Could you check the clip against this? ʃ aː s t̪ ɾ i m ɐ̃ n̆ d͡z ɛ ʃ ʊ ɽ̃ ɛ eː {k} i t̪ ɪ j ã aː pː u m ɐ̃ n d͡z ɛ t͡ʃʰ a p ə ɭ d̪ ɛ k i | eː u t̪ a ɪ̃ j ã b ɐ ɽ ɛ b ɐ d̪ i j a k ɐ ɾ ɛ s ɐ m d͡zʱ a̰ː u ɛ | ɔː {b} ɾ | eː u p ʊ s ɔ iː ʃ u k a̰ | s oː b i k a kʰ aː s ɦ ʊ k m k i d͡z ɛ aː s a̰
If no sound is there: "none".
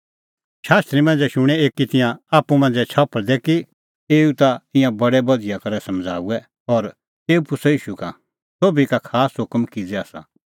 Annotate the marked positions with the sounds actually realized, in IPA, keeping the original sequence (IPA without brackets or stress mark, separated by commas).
k, none